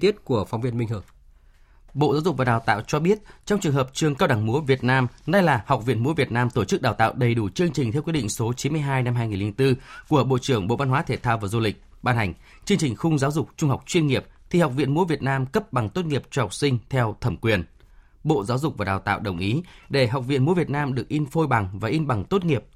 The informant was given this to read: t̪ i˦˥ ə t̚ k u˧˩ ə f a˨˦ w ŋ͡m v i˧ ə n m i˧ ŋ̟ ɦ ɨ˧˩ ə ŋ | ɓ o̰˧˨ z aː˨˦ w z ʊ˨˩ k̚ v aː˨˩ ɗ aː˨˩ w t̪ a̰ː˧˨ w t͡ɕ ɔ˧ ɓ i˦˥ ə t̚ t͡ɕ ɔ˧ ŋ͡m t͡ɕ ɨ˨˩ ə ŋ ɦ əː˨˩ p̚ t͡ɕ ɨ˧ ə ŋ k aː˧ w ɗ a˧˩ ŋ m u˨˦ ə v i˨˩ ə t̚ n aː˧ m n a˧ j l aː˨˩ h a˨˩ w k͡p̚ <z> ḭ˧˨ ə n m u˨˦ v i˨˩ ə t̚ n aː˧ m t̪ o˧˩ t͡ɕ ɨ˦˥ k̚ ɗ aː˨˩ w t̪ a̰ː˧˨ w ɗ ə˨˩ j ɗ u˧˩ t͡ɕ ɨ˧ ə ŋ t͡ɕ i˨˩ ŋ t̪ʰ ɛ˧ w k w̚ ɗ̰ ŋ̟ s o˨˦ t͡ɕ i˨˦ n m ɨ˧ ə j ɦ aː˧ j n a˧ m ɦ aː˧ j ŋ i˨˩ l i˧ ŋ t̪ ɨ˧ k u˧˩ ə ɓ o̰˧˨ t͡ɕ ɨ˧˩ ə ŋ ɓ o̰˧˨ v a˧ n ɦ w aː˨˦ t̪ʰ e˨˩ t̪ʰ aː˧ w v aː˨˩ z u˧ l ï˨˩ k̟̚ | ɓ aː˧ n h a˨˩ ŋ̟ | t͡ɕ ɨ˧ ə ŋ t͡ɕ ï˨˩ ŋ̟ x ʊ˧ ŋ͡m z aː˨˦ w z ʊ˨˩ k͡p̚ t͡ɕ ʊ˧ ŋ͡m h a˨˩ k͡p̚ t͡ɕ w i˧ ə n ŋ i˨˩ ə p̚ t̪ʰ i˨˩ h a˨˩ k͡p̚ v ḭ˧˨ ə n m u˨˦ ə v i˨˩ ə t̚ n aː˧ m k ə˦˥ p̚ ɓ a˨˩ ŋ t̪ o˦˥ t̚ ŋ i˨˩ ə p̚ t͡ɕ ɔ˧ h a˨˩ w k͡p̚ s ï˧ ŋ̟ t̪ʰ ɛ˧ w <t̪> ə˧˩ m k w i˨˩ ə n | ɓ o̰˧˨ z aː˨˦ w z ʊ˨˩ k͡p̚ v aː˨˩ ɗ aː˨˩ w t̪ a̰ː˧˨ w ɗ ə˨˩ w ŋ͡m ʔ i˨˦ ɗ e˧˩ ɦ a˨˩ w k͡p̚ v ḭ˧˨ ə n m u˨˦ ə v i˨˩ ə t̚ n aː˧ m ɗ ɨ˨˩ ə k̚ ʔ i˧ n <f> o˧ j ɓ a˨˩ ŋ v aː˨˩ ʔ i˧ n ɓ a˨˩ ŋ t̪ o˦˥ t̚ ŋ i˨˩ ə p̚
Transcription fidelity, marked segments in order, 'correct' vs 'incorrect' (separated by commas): incorrect, incorrect, correct